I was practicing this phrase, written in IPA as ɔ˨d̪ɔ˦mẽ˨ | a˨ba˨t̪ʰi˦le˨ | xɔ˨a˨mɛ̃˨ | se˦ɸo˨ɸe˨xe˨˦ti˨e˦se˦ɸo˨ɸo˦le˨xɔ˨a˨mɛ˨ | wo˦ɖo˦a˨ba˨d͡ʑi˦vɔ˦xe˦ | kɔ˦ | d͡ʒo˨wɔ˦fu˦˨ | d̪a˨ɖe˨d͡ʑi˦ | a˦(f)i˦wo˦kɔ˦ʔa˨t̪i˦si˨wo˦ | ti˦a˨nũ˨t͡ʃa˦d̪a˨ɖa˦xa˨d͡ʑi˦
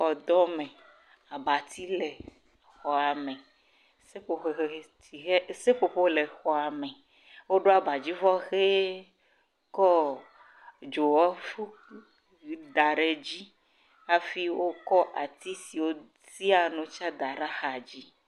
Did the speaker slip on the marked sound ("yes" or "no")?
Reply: no